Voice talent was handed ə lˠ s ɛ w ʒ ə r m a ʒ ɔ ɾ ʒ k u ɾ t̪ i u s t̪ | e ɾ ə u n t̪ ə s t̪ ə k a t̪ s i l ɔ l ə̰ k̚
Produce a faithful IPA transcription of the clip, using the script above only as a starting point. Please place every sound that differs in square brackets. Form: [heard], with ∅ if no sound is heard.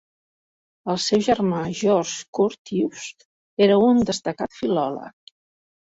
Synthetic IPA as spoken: ə lˠ s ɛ w ʒ ə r m a ʒ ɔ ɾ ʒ k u ɾ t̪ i u s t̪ | e ɾ ə u n [d̪] ə s t̪ ə k a t̪ [f] i l ɔ l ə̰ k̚